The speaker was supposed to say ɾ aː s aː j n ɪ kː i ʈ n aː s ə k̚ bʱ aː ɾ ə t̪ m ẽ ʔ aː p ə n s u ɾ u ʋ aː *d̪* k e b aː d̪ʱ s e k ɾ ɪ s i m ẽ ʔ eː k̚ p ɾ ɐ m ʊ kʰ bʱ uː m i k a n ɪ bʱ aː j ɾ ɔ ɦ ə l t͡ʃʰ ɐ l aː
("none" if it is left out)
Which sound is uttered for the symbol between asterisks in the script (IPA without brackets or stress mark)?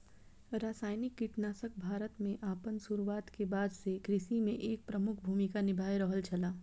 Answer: t̪